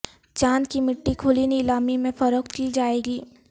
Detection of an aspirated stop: present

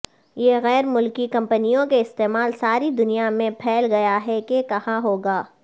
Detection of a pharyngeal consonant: absent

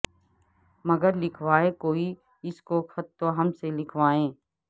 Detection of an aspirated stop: present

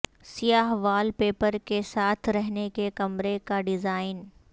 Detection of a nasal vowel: absent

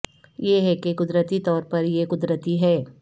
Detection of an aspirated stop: absent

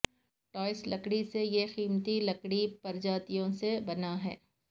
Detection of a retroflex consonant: present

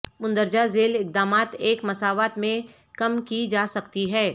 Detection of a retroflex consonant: absent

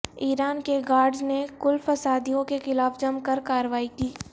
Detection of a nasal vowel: present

